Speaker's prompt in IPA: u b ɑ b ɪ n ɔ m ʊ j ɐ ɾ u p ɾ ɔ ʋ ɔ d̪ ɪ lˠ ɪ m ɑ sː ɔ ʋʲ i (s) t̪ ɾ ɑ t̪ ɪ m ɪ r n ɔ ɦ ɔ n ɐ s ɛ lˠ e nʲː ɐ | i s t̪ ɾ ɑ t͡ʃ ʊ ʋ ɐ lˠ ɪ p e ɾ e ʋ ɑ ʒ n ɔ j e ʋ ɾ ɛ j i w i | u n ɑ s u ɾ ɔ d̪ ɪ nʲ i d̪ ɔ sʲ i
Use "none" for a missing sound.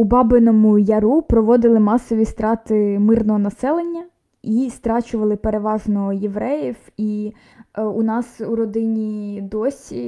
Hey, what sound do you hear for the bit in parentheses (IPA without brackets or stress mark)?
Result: s